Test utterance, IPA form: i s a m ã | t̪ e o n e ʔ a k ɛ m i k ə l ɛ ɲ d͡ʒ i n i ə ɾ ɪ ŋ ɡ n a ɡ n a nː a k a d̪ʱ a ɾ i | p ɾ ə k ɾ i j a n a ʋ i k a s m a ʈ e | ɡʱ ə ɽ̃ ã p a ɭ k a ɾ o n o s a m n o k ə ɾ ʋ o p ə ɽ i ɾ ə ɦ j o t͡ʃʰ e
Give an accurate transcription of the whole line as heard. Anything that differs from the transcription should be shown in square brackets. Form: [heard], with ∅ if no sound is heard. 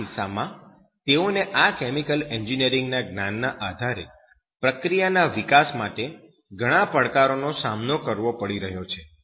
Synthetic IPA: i s a m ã | t̪ e o n e ʔ a k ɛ m i k ə l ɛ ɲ d͡ʒ i n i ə ɾ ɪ ŋ ɡ n a ɡ n a nː a [ʔ] a d̪ʱ a ɾ [e] | p ɾ ə k ɾ i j a n a ʋ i k a s m a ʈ e | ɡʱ ə ɽ̃ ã p [ə] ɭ k a ɾ o n o s a m n o k ə ɾ ʋ o p ə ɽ i ɾ ə ɦ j o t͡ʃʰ e

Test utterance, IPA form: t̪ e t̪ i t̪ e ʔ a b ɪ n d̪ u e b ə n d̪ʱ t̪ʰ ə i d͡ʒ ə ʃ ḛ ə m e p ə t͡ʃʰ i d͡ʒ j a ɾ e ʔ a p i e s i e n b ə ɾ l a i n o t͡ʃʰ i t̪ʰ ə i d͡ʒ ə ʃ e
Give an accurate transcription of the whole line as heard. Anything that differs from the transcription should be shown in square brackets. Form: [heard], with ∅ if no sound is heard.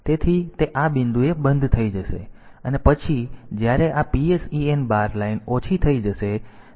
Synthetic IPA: t̪ e [t̪ʰ] i t̪ e ʔ a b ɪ n d̪ u e b ə n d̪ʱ t̪ʰ ə i d͡ʒ ə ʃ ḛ ə [n] e p ə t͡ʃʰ i d͡ʒ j a ɾ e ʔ a p i e s i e n b [a] ɾ l a i n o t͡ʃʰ i t̪ʰ ə i d͡ʒ ə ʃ e

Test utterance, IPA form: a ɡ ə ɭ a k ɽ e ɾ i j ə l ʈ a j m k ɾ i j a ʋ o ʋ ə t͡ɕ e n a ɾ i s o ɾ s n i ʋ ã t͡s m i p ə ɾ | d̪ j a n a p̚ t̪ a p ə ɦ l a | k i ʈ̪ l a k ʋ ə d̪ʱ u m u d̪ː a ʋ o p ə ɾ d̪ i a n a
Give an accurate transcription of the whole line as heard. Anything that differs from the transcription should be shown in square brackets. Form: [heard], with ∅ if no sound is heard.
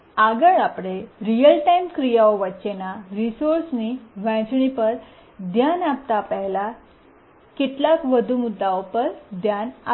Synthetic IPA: a ɡ ə ɭ a [p] ɽ e ɾ i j ə l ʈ a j m k ɾ i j a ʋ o ʋ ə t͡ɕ e n a ɾ i s o ɾ s n i ʋ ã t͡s [ɳ] i p ə ɾ | d̪ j a n a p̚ t̪ a p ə ɦ l a | k i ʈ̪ l a k ʋ ə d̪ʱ u m u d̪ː a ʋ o p ə ɾ d̪ [j] a n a

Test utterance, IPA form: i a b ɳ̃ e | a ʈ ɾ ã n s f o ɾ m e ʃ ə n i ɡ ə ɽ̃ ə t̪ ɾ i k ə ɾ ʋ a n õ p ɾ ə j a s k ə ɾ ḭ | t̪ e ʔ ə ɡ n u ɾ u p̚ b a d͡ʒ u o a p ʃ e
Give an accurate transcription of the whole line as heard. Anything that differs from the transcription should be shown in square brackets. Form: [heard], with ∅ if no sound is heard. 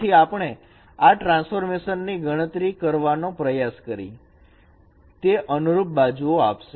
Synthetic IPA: i a [p] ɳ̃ e | a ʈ ɾ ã n s f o ɾ m e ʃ ə [nː] i ɡ ə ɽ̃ ə t̪ ɾ i k ə ɾ ʋ a n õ p ɾ ə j a s k ə ɾ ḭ | t̪ e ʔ ə [∅] n u ɾ u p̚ b a d͡ʒ u o a p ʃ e

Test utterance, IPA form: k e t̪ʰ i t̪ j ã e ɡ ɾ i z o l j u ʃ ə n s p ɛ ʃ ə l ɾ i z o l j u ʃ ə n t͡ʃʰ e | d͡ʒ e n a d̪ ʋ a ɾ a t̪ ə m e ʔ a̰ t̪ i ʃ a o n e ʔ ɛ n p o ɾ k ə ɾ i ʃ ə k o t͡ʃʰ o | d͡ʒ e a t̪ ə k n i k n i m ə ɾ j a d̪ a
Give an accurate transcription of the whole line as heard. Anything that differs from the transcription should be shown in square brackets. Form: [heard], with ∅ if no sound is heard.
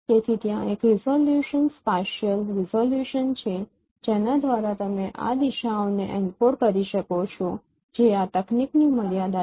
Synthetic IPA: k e t̪ʰ i t̪ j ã e [k] ɾ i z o l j u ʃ ə n s p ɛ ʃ ə l ɾ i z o l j u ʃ ə n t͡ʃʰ e | d͡ʒ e n a d̪ ʋ a ɾ a t̪ ə m e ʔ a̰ [d̪] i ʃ a o n e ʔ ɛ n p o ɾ k ə ɾ i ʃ ə k o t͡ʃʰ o | d͡ʒ e a t̪ ə k n i k n i m ə ɾ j a d̪ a

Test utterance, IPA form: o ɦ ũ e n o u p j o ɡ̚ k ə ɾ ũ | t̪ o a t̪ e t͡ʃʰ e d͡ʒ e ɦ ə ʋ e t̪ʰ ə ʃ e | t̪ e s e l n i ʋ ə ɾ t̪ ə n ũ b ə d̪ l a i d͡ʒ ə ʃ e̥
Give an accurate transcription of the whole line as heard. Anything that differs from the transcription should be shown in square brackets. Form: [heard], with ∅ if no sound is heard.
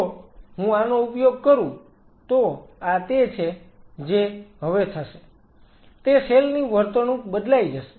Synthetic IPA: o ɦ ũ [a] n o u p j o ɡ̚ k ə ɾ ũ | t̪ o a t̪ e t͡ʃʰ e d͡ʒ e ɦ ə ʋ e t̪ʰ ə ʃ e | t̪ e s e l n i ʋ ə ɾ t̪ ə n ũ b ə d̪ l a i d͡ʒ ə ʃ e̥

